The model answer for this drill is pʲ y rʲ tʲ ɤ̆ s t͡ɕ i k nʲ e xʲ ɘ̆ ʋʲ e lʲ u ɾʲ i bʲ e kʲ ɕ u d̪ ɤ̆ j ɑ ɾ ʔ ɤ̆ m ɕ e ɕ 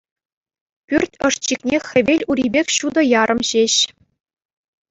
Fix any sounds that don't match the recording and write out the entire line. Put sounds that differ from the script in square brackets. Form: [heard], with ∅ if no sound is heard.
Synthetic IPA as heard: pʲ y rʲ tʲ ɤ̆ [ʂ] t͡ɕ i k nʲ e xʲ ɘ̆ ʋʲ e lʲ u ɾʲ i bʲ e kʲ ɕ u d̪ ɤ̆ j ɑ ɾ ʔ ɤ̆ m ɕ e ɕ